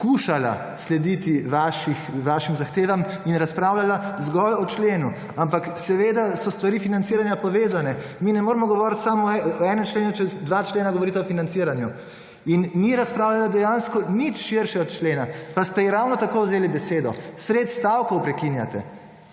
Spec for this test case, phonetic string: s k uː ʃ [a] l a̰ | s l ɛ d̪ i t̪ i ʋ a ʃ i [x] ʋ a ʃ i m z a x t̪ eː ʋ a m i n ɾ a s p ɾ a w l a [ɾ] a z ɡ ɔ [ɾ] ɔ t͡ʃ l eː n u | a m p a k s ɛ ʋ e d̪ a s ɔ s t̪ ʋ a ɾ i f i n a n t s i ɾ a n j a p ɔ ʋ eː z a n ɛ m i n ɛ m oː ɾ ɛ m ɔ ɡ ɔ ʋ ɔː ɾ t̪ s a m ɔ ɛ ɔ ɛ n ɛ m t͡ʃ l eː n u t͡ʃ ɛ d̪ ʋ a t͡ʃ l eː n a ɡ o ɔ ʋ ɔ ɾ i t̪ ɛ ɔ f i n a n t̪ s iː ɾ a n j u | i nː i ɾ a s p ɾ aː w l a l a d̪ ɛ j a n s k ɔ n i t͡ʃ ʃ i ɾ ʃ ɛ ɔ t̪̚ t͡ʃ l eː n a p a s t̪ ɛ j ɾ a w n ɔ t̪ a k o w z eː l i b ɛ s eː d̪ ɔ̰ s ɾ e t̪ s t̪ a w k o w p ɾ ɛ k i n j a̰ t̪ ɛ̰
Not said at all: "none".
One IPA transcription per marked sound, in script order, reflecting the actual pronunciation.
a, x, l, l

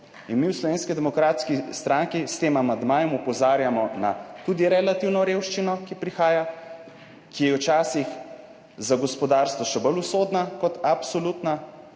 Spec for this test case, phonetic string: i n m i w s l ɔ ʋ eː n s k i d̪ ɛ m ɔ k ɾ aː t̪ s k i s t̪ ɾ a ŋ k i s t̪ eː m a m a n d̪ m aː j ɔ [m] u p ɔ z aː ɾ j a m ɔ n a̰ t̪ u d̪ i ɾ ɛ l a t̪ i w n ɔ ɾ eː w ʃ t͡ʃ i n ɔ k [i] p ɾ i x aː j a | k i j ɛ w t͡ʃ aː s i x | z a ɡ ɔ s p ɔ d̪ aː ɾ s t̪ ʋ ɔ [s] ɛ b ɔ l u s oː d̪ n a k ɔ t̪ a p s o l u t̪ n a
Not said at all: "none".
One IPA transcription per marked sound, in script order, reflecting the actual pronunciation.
m, i, ʃ

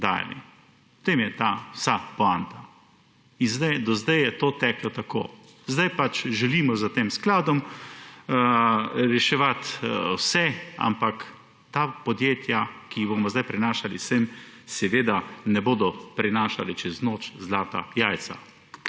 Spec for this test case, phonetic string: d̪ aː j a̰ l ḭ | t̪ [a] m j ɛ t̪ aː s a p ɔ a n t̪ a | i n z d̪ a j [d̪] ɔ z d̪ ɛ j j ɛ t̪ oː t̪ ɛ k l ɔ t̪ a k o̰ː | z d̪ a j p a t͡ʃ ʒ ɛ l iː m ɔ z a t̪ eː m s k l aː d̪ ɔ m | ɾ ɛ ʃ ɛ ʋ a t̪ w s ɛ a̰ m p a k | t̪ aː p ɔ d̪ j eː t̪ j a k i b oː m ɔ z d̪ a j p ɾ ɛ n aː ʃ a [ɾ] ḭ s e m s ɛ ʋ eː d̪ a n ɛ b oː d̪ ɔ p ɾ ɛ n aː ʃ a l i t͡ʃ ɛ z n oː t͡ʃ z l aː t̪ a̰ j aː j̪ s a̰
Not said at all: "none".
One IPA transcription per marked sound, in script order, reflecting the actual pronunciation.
e, d̪, l

